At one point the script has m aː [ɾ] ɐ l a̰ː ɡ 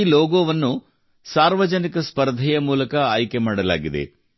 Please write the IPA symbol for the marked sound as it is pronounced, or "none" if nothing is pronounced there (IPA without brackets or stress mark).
ɽ